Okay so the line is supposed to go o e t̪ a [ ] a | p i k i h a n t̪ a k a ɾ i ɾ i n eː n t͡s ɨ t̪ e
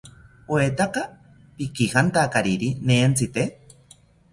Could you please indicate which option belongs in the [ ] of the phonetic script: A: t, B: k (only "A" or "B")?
B